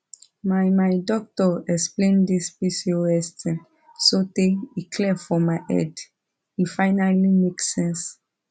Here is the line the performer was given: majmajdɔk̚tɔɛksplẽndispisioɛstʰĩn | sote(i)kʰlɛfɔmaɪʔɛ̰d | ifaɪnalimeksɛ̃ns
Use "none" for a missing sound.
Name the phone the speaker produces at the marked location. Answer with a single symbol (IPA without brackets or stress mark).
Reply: i